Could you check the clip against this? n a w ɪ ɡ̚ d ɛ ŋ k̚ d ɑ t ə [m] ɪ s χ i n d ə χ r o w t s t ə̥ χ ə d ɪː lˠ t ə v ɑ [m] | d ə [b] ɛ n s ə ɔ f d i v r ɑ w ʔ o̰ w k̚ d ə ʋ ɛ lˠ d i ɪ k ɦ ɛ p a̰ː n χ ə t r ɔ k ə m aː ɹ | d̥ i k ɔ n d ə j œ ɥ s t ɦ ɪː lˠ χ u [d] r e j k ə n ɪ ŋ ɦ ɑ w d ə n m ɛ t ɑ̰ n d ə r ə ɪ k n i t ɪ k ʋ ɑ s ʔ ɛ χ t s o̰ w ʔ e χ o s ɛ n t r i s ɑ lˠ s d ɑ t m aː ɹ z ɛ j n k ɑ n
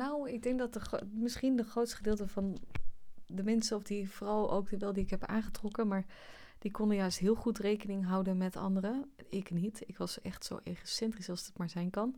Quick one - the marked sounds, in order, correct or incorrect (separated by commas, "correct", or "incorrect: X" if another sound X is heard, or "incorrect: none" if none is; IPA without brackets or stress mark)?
correct, incorrect: n, incorrect: m, incorrect: t